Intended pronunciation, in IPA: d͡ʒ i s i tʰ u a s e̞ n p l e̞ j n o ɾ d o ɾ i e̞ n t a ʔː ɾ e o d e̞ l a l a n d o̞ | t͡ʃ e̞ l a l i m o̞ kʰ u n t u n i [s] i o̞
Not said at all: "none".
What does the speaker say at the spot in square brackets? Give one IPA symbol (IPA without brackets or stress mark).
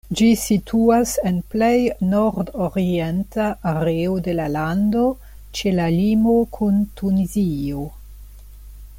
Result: z